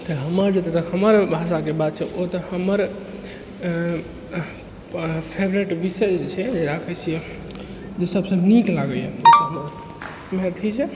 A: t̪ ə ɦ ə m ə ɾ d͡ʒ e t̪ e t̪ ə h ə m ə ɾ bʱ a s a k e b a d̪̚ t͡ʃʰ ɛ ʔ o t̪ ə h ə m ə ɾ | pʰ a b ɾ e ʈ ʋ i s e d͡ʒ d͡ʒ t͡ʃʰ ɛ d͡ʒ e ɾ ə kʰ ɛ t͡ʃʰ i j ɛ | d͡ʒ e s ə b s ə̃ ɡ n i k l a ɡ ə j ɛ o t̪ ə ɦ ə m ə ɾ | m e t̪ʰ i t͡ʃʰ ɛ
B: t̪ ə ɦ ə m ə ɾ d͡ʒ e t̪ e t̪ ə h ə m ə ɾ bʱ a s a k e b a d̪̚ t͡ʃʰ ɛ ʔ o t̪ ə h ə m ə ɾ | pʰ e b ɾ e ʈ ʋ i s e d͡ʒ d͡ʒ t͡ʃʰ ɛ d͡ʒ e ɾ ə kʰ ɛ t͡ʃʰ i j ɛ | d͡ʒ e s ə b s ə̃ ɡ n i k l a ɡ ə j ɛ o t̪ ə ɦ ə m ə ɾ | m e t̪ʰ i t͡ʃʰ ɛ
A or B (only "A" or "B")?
B